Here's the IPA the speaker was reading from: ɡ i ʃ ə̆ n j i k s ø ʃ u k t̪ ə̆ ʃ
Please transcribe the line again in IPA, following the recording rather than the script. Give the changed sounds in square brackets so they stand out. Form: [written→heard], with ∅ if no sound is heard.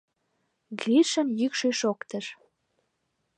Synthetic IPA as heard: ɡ i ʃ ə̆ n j [i→y] k [s→ʃ] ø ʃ [u→o] k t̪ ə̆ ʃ